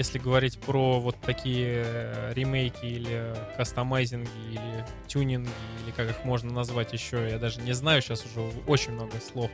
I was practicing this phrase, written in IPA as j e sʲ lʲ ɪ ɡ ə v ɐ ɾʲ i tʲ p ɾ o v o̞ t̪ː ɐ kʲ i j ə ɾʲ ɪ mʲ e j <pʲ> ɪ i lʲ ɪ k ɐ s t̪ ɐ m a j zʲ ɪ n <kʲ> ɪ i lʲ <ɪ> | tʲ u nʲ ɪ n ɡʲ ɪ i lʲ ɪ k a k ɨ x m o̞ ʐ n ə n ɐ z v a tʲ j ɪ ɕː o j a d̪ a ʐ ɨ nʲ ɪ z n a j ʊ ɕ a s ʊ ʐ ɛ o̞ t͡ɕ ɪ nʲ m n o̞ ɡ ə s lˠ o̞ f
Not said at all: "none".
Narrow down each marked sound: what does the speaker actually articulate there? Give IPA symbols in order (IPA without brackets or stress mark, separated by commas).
kʲ, ɡʲ, ɪ